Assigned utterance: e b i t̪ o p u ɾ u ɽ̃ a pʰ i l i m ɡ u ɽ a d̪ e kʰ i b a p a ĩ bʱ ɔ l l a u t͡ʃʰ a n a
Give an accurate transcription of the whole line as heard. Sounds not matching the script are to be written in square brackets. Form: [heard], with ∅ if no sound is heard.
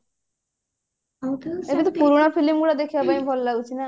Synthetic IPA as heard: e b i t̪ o p u ɾ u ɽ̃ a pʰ i l i m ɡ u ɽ a d̪ e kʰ i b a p a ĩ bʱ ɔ l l a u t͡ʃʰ [i] n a

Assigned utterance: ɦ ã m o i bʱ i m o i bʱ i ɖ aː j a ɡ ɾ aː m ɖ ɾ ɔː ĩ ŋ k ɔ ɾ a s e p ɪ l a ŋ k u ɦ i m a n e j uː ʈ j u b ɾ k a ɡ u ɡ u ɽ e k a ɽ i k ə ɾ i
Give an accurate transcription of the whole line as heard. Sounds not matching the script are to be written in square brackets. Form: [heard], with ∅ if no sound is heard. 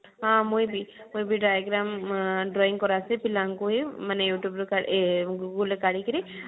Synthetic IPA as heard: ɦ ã m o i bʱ i m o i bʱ i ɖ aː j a ɡ ɾ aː m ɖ ɾ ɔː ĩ ŋ k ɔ ɾ a s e p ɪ l a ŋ k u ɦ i m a n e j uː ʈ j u b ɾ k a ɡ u ɡ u [l] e k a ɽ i k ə ɾ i

